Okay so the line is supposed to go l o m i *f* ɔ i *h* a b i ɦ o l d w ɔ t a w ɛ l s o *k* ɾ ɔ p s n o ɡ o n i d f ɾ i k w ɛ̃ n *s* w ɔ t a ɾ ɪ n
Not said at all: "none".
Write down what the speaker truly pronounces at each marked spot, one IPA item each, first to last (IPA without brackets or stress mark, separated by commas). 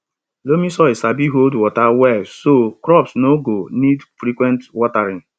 s, s, k, t